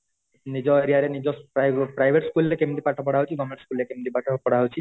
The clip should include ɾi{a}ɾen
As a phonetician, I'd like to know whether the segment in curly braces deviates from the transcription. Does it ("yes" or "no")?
no